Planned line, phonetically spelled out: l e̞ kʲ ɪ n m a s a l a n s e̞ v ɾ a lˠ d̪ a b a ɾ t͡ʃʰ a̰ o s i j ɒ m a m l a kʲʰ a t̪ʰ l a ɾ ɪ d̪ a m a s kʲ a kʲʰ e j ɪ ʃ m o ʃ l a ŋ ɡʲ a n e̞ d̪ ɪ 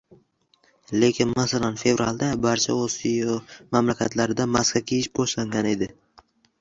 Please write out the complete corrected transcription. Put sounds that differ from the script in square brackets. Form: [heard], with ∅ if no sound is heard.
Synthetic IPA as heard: l e̞ kʲ ɪ n m a s a l a n [f] e̞ v ɾ a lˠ d̪ a b a ɾ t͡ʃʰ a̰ o s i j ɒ m a m l a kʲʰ a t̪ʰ l a ɾ ɪ d̪ a m a s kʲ a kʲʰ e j ɪ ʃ [b] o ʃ l a ŋ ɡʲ a n e̞ d̪ ɪ